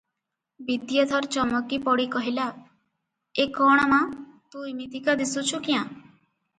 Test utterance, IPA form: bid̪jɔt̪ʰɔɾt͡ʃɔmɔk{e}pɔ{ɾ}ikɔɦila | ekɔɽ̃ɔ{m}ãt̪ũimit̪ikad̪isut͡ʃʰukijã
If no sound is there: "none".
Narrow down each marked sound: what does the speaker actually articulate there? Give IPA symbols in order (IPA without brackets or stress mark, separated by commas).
i, ɽ, m